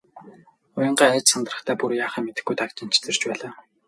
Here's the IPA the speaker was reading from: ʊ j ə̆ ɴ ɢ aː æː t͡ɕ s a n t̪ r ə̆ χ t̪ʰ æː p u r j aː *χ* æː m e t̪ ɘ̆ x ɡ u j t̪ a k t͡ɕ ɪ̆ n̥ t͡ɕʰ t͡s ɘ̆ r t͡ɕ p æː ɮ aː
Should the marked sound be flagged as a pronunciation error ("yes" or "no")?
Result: no